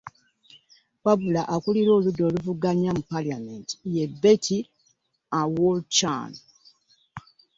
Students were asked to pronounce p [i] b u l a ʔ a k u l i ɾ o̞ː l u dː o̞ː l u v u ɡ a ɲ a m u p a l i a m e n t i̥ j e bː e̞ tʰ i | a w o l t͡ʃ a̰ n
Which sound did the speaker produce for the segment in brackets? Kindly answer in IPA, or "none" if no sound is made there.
a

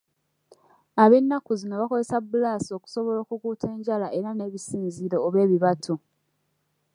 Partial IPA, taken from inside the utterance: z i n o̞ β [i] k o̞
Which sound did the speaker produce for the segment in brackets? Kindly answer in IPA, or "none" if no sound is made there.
a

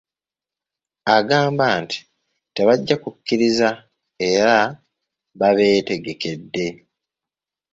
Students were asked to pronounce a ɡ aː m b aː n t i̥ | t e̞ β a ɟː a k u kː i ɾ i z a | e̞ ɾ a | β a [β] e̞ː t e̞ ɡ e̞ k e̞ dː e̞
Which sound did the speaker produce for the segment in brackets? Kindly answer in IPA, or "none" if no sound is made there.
β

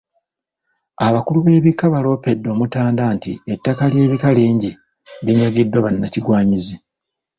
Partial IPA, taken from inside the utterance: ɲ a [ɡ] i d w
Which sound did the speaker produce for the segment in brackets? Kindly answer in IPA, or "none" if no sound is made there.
ɡ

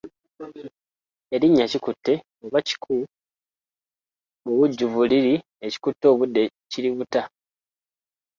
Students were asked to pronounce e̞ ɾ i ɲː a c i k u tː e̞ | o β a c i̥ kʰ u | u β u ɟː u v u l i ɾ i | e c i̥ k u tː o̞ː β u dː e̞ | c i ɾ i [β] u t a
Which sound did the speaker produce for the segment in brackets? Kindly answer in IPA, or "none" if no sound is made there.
β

